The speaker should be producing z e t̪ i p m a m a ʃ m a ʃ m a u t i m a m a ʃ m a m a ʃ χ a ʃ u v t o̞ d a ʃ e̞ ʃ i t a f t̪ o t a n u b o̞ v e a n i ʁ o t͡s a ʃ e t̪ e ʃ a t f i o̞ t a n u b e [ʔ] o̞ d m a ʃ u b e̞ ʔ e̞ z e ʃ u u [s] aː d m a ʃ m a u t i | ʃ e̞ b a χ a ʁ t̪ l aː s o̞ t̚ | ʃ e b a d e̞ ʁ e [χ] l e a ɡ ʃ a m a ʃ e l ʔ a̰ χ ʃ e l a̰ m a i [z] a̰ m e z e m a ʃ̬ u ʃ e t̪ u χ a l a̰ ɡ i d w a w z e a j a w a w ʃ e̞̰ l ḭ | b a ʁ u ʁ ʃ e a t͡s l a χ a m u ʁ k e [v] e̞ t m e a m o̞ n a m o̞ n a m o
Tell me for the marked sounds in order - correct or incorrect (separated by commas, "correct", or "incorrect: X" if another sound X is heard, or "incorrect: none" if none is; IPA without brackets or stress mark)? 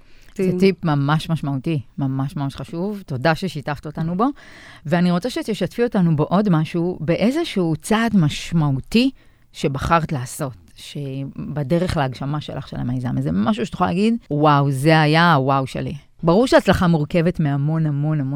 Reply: correct, incorrect: t͡s, correct, correct, correct